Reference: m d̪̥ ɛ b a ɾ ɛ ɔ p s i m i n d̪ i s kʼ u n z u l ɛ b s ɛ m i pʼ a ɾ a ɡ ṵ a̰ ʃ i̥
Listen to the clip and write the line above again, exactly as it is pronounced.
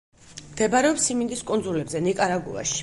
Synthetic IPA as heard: m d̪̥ ɛ b a ɾ ɛ ɔ p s i m i n d̪ i s kʼ u n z u l ɛ b z ɛ n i kʼ a ɾ a ɡ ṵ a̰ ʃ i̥